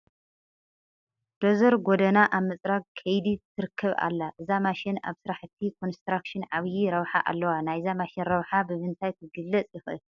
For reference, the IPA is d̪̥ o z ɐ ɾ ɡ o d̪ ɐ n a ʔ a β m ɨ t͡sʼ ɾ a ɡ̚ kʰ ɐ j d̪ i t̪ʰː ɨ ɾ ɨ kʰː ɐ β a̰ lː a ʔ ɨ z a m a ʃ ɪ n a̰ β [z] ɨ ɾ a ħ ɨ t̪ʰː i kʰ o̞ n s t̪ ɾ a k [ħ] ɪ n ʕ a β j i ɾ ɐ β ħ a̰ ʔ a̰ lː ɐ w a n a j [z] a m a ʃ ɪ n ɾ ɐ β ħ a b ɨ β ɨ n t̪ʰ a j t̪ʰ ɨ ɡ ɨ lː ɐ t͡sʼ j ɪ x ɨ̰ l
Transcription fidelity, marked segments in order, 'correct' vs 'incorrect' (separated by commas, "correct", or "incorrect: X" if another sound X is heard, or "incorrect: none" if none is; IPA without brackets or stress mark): incorrect: s, incorrect: ʃ, correct